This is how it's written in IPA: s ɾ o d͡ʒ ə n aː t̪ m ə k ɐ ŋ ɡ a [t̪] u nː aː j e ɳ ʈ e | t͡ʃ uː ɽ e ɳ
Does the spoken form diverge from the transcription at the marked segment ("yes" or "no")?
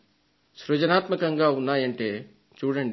yes